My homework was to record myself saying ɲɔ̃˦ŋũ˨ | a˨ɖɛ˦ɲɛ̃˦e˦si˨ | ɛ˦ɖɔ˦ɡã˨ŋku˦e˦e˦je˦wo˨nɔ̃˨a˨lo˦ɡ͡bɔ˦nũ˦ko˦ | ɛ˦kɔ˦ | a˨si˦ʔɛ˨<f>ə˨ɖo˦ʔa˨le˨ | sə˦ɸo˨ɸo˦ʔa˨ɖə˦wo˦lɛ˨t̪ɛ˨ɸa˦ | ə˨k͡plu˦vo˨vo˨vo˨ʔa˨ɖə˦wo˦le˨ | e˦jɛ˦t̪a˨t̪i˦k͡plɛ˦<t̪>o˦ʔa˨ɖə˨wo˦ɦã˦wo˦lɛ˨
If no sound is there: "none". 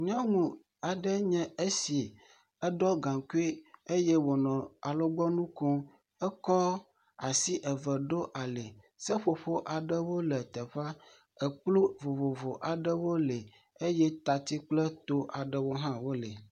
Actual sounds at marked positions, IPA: v, t̪

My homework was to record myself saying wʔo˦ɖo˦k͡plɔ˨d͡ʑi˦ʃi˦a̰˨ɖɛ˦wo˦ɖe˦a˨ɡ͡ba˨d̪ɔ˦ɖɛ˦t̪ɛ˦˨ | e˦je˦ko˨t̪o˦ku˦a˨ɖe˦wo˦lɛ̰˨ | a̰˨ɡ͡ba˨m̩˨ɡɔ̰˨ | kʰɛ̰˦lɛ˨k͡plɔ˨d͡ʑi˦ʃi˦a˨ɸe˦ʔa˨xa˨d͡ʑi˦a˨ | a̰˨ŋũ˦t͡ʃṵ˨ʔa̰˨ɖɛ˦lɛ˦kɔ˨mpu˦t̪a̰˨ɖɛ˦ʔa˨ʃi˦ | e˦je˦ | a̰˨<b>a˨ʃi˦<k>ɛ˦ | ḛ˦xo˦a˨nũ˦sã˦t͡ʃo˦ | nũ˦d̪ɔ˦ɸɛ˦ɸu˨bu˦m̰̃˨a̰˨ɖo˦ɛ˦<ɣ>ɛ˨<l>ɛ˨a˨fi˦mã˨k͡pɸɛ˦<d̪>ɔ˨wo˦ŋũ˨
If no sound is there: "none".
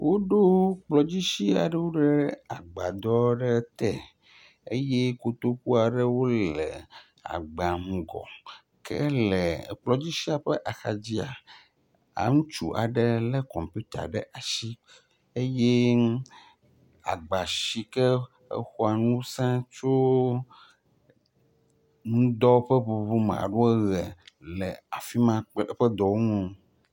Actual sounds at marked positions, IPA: ɡ͡b, k, ɣ, l, d̪

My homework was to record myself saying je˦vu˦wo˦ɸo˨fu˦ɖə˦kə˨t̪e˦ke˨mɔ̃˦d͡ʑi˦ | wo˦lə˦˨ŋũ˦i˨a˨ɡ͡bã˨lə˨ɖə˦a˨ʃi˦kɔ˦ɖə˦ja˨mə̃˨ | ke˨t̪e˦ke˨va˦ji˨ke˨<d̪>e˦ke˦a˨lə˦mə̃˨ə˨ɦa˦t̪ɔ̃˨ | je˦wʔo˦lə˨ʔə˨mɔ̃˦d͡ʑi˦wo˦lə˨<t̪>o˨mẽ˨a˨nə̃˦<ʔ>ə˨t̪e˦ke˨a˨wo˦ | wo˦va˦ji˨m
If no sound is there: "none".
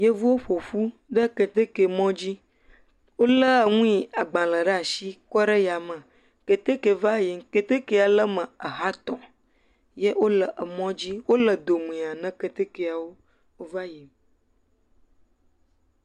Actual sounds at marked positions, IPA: t̪, d̪, k

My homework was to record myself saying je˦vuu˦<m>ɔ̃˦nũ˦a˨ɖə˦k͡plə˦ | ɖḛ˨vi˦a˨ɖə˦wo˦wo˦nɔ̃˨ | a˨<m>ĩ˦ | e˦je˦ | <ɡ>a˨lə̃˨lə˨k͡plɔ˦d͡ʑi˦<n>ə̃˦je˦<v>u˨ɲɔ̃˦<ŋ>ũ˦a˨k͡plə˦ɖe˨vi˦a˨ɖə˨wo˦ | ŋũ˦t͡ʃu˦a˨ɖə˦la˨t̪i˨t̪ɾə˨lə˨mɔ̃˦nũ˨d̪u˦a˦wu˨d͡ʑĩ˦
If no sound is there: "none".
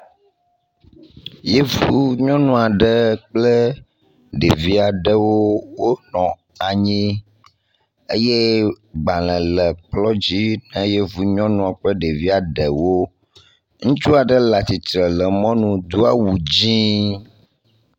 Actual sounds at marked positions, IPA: ɲ, ɲ, ɡ͡b, n, v, n

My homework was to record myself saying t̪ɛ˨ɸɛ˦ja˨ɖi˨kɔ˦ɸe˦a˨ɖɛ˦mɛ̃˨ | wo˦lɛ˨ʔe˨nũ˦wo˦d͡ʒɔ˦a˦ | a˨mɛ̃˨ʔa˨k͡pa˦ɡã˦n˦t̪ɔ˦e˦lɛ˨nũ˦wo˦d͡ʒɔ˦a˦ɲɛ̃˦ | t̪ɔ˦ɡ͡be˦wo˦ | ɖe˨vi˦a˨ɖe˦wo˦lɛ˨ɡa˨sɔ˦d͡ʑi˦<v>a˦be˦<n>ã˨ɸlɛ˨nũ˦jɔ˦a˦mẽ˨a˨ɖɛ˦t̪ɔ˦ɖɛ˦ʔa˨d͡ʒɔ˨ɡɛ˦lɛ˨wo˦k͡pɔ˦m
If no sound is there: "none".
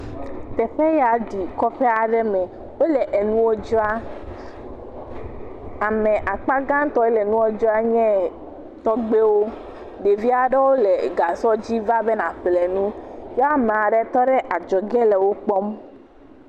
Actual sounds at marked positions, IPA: v, n

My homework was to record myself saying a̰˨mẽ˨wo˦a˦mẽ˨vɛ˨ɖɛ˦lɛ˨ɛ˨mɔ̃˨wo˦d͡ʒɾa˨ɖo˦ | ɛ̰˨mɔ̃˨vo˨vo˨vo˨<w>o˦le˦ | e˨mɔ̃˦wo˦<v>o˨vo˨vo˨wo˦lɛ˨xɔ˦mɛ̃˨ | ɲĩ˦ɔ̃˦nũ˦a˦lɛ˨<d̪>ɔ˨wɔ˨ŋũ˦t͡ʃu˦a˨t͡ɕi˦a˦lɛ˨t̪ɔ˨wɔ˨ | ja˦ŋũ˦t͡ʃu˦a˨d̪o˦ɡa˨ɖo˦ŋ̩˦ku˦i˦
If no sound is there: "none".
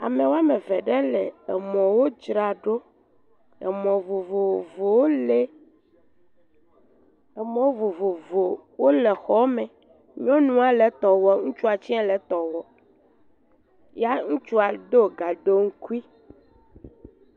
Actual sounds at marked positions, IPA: w, v, t̪

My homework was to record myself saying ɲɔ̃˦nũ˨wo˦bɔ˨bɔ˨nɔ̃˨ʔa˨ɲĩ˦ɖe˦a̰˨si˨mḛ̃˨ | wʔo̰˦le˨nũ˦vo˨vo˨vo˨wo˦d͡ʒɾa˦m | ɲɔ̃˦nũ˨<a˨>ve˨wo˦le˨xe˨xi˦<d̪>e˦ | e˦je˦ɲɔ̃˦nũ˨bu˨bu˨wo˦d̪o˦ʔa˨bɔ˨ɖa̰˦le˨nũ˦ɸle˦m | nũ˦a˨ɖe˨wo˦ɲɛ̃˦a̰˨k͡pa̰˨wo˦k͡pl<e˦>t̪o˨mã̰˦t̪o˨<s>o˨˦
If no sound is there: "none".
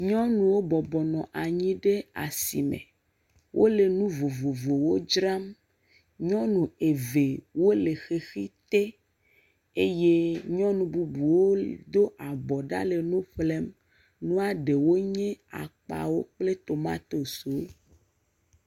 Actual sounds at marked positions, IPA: e˨, t̪, e˦, s

